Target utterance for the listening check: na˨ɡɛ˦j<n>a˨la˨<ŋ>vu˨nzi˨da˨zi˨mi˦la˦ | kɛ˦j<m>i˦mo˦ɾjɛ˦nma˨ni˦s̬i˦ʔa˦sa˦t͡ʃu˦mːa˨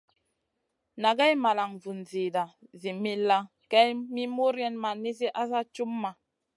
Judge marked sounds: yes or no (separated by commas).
no, yes, yes